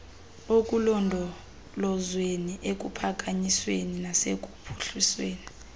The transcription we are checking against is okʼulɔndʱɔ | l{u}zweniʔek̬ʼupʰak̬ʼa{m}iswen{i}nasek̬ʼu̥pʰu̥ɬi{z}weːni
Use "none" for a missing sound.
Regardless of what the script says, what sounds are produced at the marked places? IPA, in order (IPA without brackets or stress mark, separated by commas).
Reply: ɔ, ɲ, i, s